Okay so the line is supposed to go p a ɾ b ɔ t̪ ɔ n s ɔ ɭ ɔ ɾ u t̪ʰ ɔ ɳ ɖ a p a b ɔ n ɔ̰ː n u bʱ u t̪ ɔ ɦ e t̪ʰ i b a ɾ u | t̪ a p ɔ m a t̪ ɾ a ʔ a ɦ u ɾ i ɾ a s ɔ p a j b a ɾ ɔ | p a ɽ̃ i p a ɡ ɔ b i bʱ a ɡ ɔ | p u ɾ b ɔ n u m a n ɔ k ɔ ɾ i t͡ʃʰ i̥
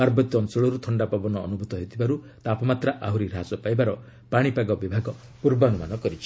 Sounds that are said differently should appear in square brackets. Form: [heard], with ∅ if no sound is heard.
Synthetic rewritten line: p a ɾ b ɔ t̪ ɔ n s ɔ ɭ ɔ ɾ u t̪ʰ ɔ ɳ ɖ a p a b ɔ n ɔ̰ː n u bʱ u t̪ ɔ ɦ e t̪ʰ i b a ɾ u | t̪ a p ɔ m a t̪ ɾ a ʔ a ɦ u ɾ i ɾ a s ɔ p a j b a ɾ ɔ | p a ɽ̃ i p a ɡ ɔ b i bʱ a ɡ ɔ | p u ɾ b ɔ n u m a n ɔ k ɔ ɾ i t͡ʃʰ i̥